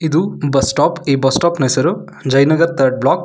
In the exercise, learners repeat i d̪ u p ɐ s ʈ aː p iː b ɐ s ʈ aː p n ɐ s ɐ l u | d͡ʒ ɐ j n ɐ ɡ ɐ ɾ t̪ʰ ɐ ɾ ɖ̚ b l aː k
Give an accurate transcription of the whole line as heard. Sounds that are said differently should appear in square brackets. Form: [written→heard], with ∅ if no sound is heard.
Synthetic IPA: i d̪ u [p→b] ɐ s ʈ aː p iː b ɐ s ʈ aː p n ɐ s ɐ [l→ɾ] u | d͡ʒ ɐ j n ɐ ɡ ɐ ɾ t̪ʰ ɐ ɾ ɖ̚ b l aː k